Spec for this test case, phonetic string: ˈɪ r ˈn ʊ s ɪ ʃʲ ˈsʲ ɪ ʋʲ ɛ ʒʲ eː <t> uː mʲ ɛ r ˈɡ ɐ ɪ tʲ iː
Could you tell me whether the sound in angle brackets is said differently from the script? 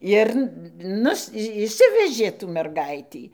no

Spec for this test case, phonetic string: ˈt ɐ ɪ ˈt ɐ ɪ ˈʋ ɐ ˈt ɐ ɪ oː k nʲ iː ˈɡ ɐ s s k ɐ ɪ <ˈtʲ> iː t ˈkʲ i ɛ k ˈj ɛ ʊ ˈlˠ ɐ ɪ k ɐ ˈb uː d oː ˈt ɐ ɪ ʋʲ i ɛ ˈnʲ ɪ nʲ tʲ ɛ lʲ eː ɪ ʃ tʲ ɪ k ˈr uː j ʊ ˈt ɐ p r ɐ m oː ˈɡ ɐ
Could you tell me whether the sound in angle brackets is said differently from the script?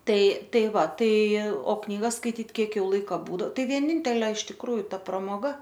no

